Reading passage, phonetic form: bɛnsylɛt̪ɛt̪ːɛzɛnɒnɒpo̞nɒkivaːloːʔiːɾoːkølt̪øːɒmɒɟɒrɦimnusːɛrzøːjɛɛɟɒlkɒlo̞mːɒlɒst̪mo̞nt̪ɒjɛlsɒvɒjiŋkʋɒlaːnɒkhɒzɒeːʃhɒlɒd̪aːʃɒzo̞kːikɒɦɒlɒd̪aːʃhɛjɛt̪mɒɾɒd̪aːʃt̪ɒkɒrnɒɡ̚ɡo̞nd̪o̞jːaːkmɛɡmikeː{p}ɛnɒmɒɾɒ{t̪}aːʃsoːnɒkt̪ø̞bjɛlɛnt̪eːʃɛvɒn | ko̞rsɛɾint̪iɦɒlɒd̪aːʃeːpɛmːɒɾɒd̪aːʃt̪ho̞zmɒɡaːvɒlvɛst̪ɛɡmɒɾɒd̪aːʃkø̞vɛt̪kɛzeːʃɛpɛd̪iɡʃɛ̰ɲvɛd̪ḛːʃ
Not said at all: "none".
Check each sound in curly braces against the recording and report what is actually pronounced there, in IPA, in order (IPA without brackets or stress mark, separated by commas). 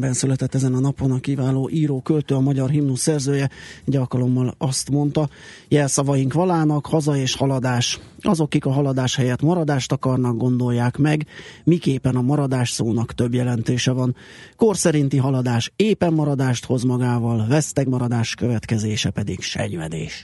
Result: p, d̪